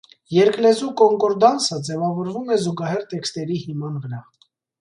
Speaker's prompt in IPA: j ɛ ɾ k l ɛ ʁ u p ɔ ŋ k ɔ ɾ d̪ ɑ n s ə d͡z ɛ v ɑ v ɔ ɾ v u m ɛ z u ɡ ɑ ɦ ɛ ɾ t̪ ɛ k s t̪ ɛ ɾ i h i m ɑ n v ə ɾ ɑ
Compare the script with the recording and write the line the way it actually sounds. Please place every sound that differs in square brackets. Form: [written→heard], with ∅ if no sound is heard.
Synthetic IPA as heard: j ɛ ɾ k l ɛ [ʁ→z] u [p→k] ɔ ŋ k ɔ ɾ d̪ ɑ n s ə d͡z ɛ v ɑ v ɔ ɾ v u m ɛ z u ɡ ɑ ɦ ɛ ɾ t̪ ɛ k s t̪ ɛ ɾ i h i m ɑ n v ə ɾ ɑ

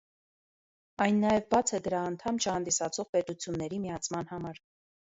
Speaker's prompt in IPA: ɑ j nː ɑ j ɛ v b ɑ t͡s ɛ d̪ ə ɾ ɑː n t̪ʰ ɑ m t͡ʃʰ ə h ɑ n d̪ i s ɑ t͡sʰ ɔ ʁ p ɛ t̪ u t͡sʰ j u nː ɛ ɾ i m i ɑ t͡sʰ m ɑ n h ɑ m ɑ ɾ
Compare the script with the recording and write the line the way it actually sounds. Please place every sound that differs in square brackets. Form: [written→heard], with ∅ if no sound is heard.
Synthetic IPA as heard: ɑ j nː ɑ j ɛ v b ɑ [t͡s→t͡sʰ] ɛ d̪ ə ɾ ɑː n t̪ʰ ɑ m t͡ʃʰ ə h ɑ n d̪ i s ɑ t͡sʰ ɔ ʁ p ɛ t̪ u t͡sʰ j u nː ɛ ɾ i m i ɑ t͡sʰ m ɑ n h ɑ m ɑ ɾ

